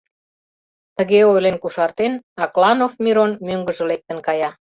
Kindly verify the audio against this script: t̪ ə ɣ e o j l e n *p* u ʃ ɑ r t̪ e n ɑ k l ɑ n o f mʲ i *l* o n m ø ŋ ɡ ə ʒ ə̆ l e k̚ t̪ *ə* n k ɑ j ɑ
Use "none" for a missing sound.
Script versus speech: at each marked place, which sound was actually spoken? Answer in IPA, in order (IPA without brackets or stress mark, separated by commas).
k, ɾ, ə